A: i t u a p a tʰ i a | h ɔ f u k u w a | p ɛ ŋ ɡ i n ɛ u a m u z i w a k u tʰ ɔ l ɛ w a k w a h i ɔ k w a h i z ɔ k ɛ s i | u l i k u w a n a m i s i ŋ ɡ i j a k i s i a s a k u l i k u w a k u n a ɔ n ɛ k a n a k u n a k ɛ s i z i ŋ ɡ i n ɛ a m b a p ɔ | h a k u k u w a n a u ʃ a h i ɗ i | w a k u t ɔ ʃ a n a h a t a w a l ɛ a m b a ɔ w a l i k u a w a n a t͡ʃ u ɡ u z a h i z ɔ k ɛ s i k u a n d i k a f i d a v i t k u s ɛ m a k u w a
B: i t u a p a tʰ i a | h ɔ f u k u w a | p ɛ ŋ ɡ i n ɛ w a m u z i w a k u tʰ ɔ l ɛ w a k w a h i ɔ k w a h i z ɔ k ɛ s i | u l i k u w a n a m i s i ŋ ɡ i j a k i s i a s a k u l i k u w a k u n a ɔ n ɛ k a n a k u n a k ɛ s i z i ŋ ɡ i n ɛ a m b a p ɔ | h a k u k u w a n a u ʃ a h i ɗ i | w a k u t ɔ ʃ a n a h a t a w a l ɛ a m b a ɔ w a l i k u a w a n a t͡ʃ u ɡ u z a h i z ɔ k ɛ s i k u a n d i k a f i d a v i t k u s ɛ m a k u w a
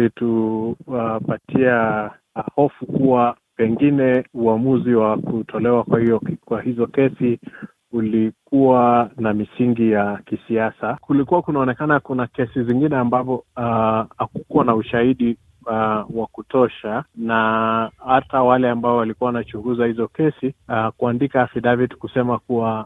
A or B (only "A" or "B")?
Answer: A